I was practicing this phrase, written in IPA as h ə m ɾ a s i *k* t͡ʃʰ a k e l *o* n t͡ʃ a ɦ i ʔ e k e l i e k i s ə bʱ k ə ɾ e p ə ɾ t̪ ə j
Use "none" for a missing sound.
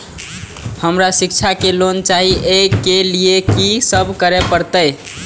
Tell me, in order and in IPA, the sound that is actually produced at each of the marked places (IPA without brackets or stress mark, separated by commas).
k, o